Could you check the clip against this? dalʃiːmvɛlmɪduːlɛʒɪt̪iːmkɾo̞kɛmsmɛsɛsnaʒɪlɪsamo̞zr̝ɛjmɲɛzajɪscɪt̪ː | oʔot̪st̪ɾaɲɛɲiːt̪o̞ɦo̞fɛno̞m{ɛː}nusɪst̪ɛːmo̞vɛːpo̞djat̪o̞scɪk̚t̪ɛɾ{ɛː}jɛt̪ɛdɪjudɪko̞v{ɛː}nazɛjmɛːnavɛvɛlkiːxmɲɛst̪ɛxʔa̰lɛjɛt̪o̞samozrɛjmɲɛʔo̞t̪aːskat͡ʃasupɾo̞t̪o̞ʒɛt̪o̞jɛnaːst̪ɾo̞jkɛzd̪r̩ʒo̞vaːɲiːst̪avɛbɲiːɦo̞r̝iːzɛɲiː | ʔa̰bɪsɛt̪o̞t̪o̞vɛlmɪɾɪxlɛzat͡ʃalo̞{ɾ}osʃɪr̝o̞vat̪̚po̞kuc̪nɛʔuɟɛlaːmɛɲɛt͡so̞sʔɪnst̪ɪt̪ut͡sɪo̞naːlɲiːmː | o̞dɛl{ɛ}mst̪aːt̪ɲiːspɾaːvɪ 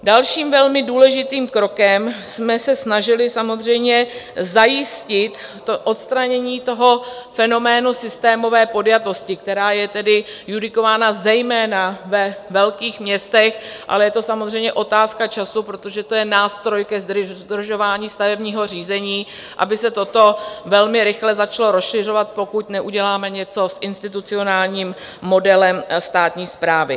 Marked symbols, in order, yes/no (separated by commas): yes, no, no, yes, yes